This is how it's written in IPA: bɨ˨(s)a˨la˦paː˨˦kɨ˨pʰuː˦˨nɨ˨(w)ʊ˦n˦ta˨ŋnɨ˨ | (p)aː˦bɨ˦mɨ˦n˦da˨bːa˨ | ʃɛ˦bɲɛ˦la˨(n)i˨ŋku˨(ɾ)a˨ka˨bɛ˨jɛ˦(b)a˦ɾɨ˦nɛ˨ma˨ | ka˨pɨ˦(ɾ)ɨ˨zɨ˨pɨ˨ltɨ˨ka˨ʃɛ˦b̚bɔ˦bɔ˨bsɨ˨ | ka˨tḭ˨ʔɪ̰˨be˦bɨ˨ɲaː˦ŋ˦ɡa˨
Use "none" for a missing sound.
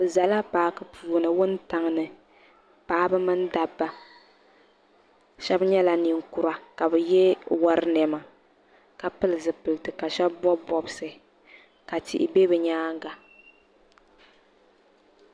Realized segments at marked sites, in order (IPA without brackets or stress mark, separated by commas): z, w, p, n, ɾ, w, l